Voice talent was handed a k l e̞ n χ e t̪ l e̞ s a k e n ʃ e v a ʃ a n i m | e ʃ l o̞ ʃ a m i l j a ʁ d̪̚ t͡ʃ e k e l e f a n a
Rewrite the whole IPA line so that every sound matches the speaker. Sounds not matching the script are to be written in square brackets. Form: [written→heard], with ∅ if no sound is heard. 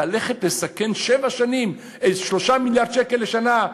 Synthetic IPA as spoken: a [k→∅] l e̞ [n→∅] χ e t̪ l e̞ s a k e n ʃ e v a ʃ a n i m | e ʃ l o̞ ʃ a m i l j a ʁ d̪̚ t͡ʃ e k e l e [f→ʃ] a n a